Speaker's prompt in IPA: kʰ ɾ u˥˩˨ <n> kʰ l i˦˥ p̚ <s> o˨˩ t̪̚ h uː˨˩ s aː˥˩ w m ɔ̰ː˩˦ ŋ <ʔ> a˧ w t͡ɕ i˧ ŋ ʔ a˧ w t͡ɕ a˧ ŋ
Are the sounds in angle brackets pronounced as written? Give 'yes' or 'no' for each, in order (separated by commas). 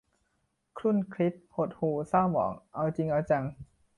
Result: yes, no, yes